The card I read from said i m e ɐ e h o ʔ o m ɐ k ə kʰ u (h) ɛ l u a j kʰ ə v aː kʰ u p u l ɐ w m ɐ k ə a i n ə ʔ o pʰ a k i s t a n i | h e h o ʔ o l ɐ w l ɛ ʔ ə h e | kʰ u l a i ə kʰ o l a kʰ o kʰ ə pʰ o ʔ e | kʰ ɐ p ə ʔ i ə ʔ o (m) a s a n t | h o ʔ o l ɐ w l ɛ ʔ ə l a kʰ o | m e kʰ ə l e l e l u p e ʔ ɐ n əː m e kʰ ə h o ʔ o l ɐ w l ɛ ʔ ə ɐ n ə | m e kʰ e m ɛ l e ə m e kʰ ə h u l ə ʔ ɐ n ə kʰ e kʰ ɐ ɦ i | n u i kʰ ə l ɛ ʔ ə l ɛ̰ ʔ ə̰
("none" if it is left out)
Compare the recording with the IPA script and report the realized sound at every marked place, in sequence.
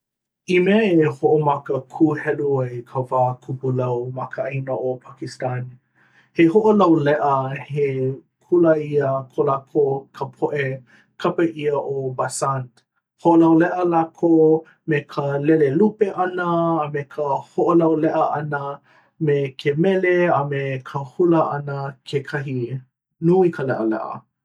h, b

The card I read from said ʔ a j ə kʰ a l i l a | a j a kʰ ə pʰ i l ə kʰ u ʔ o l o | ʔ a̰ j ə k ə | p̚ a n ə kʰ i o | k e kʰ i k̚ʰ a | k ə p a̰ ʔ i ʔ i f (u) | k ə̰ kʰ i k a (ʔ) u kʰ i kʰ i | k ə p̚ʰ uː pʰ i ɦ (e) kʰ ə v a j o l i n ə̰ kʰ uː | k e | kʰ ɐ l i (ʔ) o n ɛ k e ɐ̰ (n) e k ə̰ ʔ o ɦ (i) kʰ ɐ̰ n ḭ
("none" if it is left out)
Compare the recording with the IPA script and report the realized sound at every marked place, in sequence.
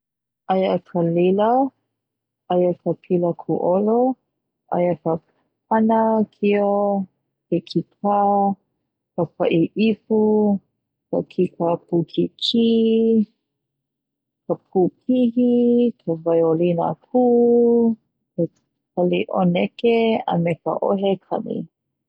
u, p, i, ʔ, m, e

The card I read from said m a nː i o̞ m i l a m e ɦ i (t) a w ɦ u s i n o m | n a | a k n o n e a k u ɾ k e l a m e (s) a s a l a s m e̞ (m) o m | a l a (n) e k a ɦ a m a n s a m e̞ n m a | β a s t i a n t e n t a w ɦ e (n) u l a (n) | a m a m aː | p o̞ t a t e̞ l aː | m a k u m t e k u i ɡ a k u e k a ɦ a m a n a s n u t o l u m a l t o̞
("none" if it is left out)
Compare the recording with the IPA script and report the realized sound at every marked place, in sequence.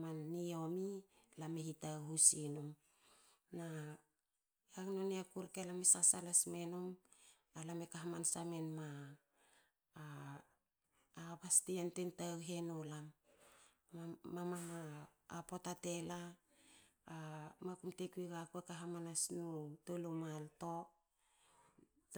t, s, n, m, n, m

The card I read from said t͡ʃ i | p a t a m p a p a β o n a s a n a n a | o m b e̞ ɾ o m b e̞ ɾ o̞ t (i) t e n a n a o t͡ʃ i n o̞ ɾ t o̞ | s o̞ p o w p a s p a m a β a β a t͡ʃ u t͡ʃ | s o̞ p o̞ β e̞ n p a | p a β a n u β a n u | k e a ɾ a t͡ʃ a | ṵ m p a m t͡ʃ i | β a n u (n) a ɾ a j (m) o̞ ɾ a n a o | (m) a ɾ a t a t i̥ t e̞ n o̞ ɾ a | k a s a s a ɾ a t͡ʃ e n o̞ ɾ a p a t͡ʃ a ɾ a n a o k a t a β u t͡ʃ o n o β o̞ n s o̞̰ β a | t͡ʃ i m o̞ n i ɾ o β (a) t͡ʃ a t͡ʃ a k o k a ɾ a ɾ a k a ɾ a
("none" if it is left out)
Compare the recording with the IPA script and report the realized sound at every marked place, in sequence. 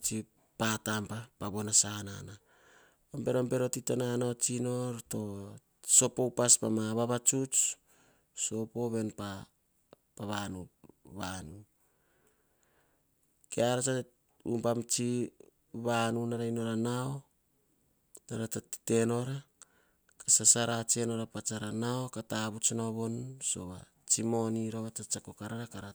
i, n, n, n, a

